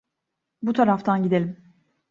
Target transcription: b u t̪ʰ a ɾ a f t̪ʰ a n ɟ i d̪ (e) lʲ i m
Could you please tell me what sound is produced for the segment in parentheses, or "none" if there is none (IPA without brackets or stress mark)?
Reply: e